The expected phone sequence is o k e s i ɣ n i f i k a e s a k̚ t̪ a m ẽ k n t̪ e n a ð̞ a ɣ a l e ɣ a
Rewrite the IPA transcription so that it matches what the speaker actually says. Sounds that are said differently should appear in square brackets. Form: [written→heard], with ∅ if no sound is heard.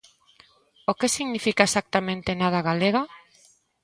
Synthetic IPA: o k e s i ɣ n i f i k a e s a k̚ t̪ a m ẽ [k→∅] n t̪ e n a ð̞ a ɣ a l e ɣ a